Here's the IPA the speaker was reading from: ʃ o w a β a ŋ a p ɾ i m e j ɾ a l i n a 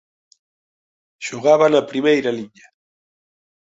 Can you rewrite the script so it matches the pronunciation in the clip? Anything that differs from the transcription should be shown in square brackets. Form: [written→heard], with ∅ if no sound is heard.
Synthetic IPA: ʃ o [w→ɣ] a β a [ŋ→n] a p ɾ i m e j ɾ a l i [n→ɲ] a